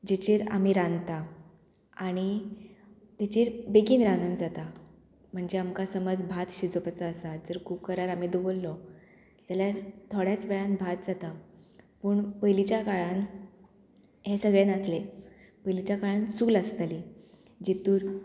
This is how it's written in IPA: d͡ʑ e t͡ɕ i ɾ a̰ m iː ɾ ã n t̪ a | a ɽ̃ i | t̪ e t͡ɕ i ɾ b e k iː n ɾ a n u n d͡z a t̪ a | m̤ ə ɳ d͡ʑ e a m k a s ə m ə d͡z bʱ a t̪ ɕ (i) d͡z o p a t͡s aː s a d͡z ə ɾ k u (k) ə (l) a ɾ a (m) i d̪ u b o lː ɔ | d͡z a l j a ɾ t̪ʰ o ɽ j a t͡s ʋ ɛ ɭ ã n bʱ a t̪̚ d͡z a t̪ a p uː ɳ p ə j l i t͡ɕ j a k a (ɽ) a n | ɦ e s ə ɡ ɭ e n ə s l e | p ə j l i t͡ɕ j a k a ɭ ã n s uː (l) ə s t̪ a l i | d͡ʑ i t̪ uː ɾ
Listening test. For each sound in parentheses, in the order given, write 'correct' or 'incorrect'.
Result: correct, correct, incorrect: ɾ, correct, incorrect: ɭ, correct

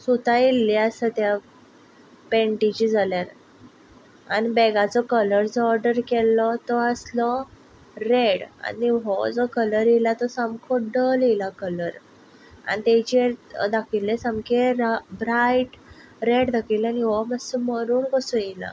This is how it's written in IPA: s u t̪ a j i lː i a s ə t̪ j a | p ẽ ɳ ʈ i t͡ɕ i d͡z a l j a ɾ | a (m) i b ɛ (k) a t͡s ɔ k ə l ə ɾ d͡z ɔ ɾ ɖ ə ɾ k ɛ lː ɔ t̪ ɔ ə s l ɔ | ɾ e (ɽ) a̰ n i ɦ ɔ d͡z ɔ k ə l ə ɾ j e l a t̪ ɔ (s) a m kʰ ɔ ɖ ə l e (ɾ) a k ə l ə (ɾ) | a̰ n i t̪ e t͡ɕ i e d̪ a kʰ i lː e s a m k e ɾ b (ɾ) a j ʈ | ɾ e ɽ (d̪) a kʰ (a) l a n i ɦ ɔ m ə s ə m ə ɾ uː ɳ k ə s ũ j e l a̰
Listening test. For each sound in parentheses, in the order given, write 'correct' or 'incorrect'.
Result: incorrect: n, incorrect: ɡ, correct, correct, incorrect: l, correct, correct, correct, incorrect: i

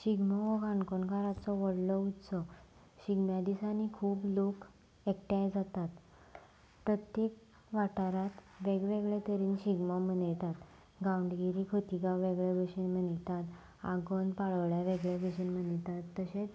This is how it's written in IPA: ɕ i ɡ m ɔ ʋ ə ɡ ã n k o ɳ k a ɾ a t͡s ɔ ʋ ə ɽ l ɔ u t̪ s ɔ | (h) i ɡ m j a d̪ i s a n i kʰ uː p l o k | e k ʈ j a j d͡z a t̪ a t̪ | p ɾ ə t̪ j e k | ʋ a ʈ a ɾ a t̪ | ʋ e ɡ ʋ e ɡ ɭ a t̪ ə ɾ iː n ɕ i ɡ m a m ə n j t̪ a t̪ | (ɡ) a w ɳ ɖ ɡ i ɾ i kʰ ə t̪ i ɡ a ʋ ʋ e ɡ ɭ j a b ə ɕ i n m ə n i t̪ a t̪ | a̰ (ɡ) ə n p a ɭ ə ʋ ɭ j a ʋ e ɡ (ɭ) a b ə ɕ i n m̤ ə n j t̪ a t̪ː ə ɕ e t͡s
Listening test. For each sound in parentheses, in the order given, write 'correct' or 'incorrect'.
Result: incorrect: ɕ, correct, correct, correct

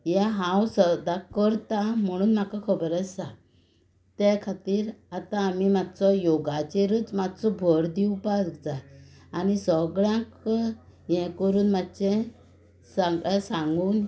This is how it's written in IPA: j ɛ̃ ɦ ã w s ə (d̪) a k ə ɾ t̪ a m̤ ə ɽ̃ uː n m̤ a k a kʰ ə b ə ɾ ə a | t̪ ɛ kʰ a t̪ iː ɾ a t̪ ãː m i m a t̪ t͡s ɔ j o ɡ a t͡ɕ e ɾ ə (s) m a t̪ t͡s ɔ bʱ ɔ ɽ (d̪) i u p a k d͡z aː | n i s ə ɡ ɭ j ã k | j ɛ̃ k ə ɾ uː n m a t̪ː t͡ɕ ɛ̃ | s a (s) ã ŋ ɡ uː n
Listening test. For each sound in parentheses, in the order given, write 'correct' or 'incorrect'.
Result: correct, incorrect: t͡s, correct, correct

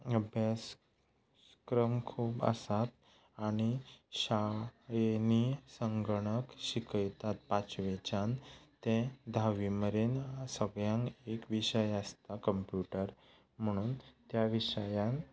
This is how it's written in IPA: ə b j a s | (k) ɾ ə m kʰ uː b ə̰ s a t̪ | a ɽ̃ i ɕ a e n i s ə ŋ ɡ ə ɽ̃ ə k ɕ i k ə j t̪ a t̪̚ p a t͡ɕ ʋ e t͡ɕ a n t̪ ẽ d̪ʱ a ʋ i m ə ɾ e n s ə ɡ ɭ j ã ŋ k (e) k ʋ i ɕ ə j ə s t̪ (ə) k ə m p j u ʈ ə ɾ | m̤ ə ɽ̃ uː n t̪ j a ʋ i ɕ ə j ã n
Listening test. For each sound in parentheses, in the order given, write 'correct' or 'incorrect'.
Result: correct, correct, incorrect: a

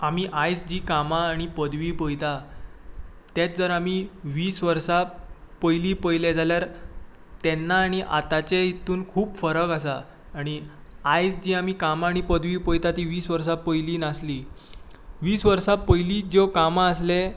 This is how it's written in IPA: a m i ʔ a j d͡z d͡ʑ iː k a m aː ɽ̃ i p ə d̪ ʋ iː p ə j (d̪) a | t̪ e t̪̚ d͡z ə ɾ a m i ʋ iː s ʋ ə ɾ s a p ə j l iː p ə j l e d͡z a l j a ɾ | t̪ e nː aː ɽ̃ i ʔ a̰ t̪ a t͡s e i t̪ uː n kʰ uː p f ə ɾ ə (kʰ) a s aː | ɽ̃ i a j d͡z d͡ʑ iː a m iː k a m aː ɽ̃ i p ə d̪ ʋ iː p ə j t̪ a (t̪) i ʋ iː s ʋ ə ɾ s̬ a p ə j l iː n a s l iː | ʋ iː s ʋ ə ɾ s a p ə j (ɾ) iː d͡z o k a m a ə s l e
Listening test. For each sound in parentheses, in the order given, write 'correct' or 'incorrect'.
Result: incorrect: t̪, incorrect: k, correct, incorrect: l

